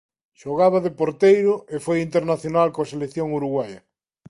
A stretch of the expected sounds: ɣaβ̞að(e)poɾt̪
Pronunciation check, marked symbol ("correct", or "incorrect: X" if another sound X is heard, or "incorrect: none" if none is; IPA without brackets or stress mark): correct